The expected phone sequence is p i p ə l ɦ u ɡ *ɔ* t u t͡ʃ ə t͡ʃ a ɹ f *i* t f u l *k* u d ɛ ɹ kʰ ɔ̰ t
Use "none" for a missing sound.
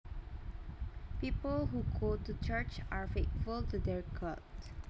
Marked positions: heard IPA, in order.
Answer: o, e, t

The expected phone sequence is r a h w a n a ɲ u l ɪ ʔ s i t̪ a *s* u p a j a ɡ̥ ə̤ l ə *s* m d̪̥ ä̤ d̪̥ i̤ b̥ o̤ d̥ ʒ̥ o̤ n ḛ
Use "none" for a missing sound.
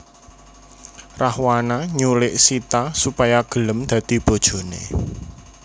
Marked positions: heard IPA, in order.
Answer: s, none

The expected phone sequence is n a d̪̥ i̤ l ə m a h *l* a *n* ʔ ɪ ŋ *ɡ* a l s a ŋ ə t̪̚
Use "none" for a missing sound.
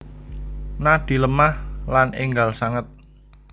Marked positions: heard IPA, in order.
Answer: l, n, ɡ

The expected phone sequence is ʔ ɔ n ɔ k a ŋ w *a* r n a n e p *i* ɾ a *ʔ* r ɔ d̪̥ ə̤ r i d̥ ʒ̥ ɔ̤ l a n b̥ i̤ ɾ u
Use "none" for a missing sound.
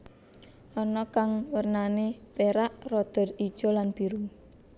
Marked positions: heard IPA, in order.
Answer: ə, e, ʔ

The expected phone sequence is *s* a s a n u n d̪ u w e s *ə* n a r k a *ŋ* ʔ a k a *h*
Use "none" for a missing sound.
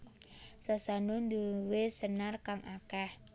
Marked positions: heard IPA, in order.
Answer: s, ə, ŋ, h

